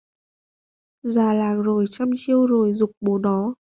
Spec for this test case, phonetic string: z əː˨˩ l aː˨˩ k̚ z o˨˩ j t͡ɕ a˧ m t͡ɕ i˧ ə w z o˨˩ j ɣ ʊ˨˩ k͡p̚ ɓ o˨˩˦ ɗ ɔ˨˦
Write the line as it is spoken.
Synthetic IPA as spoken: z aː˨˩ l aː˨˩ k̚ z o˨˩ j t͡ɕ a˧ m t͡ɕ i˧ ə w z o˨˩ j z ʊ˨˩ k͡p̚ ɓ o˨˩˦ ɗ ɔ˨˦